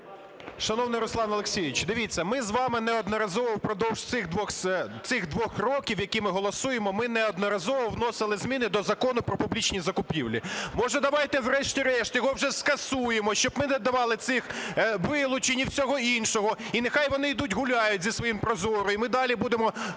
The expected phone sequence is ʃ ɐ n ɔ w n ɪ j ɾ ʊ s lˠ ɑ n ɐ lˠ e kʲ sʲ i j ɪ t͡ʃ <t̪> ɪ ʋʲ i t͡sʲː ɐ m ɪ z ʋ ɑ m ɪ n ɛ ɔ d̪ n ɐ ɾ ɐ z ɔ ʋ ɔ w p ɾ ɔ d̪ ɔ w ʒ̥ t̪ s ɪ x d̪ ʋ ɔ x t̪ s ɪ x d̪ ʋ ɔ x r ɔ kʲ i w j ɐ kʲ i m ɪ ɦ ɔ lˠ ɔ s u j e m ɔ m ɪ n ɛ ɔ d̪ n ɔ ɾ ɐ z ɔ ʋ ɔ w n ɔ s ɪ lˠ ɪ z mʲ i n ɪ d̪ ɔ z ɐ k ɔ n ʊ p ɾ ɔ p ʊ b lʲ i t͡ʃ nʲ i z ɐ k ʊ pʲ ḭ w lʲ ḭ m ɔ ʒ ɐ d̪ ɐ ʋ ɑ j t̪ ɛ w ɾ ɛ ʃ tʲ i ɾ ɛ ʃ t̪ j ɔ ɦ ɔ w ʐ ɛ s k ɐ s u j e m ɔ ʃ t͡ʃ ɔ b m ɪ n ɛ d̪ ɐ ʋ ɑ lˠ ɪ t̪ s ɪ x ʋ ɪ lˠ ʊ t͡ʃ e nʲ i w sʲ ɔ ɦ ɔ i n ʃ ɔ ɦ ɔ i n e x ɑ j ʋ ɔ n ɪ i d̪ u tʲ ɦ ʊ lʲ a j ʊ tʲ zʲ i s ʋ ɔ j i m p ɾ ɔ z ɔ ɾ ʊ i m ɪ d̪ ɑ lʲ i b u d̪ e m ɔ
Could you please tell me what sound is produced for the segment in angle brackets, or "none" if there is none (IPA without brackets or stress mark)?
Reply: d̪